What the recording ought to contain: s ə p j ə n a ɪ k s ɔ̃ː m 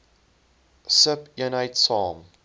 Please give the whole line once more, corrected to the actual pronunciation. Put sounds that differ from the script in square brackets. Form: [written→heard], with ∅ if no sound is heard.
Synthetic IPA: s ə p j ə n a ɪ [k→t] s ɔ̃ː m

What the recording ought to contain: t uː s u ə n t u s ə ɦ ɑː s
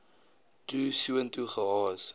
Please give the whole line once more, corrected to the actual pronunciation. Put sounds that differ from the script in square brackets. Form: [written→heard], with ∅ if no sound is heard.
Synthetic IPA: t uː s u ə n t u [s→χ] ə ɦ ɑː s

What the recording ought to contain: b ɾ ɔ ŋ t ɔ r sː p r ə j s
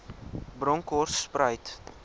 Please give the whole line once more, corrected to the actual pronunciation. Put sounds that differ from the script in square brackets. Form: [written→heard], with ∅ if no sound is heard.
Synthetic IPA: b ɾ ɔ ŋ [t→k] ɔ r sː p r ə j [s→t]

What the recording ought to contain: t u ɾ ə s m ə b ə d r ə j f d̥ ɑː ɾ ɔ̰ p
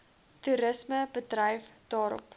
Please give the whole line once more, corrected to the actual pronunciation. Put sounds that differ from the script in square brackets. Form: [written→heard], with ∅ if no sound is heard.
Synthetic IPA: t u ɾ ə s m ə b ə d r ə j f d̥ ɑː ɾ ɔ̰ p

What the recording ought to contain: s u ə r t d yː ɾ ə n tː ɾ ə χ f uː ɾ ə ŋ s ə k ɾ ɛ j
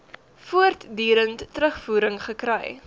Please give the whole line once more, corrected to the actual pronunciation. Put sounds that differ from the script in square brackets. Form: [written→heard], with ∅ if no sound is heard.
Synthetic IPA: [s→f] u ə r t d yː ɾ ə n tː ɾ ə χ f uː ɾ ə ŋ [s→χ] ə k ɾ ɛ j

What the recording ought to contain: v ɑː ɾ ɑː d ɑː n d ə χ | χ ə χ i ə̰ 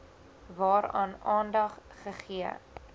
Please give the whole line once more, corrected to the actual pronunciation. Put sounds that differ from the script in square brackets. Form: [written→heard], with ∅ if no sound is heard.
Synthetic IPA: v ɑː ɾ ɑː [d→n] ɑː n d [ə→ɐ] χ | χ ə χ i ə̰

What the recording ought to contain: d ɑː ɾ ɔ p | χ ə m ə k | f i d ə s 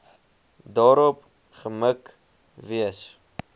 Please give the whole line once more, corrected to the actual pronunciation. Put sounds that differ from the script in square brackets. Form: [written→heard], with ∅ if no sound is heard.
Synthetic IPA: d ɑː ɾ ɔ p | χ ə m ə k | [f→v] i [d→∅] ə s

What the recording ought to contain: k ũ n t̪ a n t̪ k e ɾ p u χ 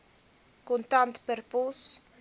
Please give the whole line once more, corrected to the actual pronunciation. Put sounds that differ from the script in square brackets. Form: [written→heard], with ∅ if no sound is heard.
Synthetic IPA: k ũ n t̪ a n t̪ [k→p] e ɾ p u [χ→s]

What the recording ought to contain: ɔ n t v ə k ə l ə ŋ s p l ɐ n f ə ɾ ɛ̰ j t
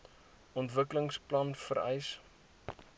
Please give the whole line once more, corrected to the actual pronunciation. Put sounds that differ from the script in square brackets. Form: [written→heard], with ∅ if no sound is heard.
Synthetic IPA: ɔ n t v ə k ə l ə ŋ s p l ɐ n f ə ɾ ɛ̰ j [t→s]

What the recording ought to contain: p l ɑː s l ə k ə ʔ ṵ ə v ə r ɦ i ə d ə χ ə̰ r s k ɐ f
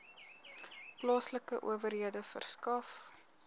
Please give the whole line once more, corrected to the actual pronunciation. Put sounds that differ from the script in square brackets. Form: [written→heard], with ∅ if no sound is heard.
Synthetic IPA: p l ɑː s l ə k ə ʔ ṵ ə v ə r ɦ i ə d ə [χ→f] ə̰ r s k ɐ f

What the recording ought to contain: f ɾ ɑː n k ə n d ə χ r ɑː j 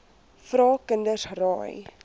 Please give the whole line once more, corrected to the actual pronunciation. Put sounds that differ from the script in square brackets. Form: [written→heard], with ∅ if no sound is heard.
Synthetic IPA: f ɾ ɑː [n→∅] k ə n d ə [χ→s] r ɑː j

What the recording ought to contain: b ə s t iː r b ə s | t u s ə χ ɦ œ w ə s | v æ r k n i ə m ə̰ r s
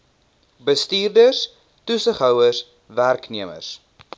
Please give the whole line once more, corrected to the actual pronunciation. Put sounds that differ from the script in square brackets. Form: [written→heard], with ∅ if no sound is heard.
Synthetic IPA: b ə s t iː r [b→d] ə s | t u s ə χ ɦ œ w ə s | v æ r k n i ə m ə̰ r s

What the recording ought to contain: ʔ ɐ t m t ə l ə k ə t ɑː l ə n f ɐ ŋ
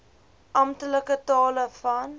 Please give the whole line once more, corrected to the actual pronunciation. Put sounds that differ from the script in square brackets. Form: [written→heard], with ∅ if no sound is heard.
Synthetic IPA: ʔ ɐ [t→∅] m t ə l ə k ə t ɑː l ə [n→∅] f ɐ [ŋ→n]

